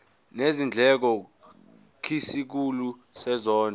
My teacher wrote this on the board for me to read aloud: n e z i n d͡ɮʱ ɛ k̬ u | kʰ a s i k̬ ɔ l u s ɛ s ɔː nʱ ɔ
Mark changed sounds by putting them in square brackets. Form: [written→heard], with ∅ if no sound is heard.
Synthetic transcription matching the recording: n e z i n d͡ɮʱ ɛ k̬ [u→ɔ] | kʰ [a→i] s i k̬ [ɔ→u] l u s ɛ [s→z] ɔː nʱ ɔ